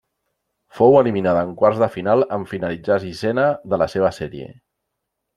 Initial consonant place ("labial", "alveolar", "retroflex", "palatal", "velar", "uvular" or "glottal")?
labial